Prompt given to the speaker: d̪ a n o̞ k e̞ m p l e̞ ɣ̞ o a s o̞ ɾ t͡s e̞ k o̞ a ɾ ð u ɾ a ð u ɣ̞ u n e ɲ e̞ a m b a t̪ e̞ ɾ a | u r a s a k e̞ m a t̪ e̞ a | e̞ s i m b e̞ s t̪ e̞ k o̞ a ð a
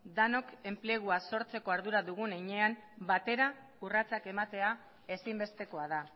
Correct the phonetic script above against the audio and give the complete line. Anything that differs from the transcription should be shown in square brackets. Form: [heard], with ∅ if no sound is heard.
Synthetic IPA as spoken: d̪ a n o̞ k e̞ m p l e̞ ɣ̞ [u] a s o̞ ɾ t͡s e̞ k o̞ a ɾ ð u ɾ a ð u ɣ̞ u n e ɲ e̞ a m b a t̪ e̞ ɾ a | u r a [t͡s] a k e̞ m a t̪ e̞ a | e̞ s i m b e̞ s t̪ e̞ k o̞ a ð a